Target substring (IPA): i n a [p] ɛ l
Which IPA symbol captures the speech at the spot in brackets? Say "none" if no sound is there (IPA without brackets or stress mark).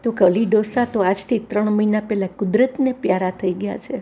p